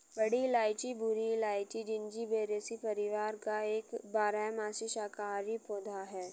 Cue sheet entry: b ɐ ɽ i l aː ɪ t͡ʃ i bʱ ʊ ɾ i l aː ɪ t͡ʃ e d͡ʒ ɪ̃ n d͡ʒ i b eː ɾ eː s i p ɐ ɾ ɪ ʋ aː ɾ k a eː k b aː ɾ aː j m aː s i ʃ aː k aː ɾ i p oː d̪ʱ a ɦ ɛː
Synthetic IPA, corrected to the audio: b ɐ ɽ i l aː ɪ t͡ʃ i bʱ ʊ ɾ i l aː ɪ t͡ʃ i d͡ʒ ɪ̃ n d͡ʒ i b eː ɾ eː s i p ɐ ɾ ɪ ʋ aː ɾ k a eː k b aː ɾ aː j m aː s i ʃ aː k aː ɾ i p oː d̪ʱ a ɦ ɛː